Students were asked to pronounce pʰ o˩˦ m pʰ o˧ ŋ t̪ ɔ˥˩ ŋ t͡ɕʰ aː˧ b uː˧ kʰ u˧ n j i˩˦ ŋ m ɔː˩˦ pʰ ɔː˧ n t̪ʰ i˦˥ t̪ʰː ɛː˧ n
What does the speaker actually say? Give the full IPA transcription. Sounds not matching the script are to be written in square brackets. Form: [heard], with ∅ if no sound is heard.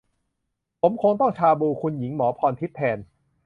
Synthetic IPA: pʰ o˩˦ m [kʰ] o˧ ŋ t̪ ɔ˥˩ ŋ t͡ɕʰ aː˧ b uː˧ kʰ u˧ n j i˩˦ ŋ m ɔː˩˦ pʰ ɔː˧ n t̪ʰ i˦˥ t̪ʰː ɛː˧ n

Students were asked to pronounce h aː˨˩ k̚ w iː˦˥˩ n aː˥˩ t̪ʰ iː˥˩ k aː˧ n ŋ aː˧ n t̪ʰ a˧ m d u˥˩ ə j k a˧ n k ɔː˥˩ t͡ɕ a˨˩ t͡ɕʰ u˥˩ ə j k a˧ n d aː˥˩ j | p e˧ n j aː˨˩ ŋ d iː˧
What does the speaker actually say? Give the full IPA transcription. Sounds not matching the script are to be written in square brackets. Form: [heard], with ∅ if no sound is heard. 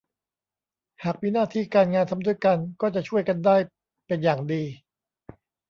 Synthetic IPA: h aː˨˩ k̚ w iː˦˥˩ n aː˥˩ t̪ʰ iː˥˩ k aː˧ n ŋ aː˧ n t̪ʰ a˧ m d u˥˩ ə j k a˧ n k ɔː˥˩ t͡ɕ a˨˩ t͡ɕʰ u˥˩ ə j k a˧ n d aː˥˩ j | p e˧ n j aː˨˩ ŋ d iː˧

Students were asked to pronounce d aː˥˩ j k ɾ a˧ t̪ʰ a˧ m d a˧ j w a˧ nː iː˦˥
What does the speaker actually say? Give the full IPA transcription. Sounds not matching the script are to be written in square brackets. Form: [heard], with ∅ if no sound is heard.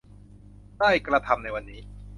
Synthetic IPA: d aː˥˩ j k ɾ a˧ t̪ʰ a˧ m [n] a˧ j w a˧ nː iː˦˥

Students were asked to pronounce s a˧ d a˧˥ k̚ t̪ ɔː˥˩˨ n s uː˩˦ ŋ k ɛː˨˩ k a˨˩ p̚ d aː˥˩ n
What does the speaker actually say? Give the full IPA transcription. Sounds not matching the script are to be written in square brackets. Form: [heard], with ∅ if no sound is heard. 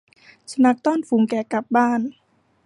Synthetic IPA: s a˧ [n] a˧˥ k̚ t̪ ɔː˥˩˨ n [f] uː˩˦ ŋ k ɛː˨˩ k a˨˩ p̚ [b] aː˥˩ n

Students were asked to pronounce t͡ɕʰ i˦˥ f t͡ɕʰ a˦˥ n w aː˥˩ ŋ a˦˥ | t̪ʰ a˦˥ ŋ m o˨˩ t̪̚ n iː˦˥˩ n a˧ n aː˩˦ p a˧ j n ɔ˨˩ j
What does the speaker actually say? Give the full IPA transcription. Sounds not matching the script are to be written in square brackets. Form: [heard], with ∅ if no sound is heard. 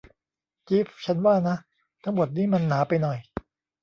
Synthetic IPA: [t͡ɕ] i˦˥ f t͡ɕʰ a˦˥ n w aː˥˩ [n] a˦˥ | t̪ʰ a˦˥ ŋ m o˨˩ t̪̚ n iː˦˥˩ [m] a˧ [nː] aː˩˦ p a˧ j n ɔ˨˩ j

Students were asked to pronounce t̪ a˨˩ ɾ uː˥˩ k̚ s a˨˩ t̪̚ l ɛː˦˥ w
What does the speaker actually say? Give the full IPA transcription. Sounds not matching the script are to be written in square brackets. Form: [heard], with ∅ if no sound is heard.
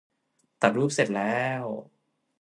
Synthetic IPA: t̪ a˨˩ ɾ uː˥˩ [p̚] s [e˨˩] t̪̚ l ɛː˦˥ w

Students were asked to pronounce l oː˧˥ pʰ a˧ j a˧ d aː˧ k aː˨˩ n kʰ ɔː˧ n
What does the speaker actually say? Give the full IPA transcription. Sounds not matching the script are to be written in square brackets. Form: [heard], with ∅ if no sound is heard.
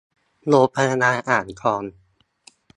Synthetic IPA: l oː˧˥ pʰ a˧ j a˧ [n] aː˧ [ʔ] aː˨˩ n kʰ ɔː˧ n

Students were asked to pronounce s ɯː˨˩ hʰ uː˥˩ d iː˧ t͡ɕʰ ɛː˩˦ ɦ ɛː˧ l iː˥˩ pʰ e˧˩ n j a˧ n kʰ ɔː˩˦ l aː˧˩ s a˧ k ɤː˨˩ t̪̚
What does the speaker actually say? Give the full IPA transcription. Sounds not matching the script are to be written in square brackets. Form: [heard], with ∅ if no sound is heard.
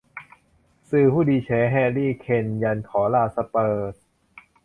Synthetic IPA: s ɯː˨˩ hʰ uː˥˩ d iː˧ t͡ɕʰ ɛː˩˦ ɦ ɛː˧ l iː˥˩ [kʰ] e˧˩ n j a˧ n kʰ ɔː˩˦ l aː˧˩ s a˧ [p] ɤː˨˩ t̪̚

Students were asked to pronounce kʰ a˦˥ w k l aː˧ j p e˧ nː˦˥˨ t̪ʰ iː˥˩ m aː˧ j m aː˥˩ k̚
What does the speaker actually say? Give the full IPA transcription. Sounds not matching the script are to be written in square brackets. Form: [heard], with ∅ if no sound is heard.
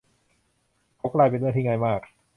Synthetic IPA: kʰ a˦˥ w k l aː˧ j p e˧ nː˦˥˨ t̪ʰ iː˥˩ [ŋ] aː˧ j m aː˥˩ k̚

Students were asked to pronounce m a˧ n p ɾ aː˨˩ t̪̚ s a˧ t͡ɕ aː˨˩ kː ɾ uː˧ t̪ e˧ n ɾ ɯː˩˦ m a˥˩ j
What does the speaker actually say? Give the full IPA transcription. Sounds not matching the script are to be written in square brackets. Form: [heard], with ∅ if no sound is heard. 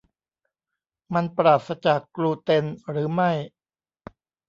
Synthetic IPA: m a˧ n p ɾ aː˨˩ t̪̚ s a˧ t͡ɕ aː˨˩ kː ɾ uː˧ t̪ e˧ n ɾ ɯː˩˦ m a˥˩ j

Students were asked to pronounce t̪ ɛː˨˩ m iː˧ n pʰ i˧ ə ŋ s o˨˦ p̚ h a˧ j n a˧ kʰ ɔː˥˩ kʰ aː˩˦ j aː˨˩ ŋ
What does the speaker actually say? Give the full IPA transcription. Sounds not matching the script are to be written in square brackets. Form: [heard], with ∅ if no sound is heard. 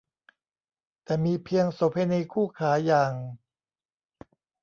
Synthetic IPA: t̪ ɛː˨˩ m iː˧ [∅] pʰ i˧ ə ŋ s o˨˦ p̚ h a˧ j n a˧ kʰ [uː˥˩] kʰ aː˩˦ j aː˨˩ ŋ

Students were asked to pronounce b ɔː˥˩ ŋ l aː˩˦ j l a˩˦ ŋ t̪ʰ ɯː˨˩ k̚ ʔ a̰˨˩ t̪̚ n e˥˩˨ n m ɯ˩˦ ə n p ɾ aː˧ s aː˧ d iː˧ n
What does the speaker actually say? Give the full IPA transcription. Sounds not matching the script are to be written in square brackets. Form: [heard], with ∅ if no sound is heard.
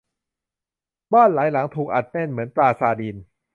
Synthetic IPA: b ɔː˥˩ [n] l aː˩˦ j l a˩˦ ŋ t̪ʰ [uː˨˩] k̚ ʔ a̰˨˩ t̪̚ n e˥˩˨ n m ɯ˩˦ ə n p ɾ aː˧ s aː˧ d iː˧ n

